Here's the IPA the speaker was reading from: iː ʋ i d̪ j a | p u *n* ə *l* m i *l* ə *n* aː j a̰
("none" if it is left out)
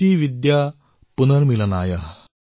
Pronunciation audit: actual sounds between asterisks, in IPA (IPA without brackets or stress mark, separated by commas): n, ɾ, l, n